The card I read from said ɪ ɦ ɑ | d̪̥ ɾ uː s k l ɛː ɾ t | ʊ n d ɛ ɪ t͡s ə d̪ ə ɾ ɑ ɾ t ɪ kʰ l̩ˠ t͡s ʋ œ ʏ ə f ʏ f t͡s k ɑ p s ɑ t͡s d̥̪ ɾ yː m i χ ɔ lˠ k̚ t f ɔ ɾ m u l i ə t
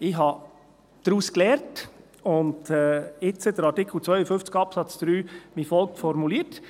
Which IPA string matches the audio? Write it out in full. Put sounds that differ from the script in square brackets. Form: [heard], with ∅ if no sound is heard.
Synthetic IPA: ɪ ɦ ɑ | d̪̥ ɾ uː s k l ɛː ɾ t | ʊ n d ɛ ɪ t͡s ə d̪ ə ɾ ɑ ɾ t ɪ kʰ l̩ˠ t͡s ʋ œ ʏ ə f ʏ f t͡s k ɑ p s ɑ t͡s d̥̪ ɾ yː m i [f] ɔ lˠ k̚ t f ɔ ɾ m u l i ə t